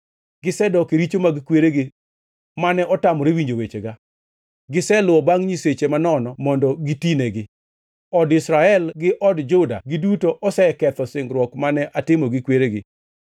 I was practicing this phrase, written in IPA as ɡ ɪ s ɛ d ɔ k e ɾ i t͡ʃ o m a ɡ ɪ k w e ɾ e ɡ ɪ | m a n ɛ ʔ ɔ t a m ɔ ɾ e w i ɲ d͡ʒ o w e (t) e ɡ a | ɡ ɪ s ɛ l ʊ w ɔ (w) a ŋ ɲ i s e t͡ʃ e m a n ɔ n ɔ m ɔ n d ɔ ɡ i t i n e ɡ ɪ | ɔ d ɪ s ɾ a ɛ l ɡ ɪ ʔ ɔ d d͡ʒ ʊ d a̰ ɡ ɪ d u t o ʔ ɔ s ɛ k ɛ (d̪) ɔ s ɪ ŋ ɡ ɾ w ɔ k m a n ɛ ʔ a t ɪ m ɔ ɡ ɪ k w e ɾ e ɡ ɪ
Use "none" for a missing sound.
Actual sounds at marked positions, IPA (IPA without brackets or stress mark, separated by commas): t͡ʃ, b, t̪